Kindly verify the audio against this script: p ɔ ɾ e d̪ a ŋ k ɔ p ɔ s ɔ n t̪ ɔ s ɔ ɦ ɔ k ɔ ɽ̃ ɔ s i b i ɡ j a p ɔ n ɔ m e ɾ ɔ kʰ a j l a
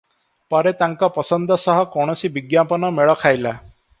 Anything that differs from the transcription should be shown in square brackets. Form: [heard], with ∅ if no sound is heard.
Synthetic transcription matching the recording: p ɔ ɾ e [t̪] a ŋ k ɔ p ɔ s ɔ n [d̪] ɔ s ɔ ɦ ɔ k ɔ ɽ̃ ɔ s i b i ɡ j a p ɔ n ɔ m e [ɭ] ɔ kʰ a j l a